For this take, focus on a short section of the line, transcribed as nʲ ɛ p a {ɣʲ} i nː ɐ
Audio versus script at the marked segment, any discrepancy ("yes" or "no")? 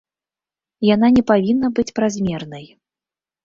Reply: yes